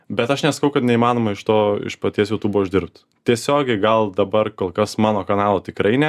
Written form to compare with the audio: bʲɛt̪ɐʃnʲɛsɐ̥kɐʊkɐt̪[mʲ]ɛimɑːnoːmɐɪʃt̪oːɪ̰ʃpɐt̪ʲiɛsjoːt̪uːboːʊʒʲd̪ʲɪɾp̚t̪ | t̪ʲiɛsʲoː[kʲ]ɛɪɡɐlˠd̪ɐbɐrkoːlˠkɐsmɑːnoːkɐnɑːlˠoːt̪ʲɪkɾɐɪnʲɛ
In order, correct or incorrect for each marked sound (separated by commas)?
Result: incorrect, incorrect